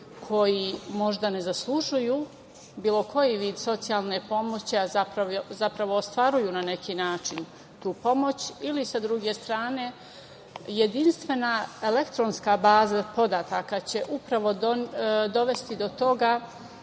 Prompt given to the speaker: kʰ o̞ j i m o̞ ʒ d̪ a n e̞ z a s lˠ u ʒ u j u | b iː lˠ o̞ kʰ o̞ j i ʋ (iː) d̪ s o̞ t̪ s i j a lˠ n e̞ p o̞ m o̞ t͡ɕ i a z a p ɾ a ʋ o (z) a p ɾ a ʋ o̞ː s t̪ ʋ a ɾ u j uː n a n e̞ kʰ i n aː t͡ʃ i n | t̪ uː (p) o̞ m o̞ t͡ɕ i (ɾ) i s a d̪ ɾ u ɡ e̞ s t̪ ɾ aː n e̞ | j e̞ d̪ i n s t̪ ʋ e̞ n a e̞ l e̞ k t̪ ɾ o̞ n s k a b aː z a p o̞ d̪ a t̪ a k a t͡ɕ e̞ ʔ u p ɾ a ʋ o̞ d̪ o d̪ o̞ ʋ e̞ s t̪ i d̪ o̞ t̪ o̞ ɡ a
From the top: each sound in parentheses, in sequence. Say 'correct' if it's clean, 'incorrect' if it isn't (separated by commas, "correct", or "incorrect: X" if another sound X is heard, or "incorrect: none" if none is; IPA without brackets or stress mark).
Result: correct, correct, correct, incorrect: l